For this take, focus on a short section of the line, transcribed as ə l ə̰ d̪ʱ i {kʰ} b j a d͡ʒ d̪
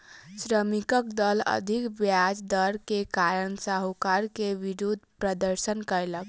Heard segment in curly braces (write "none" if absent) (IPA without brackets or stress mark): k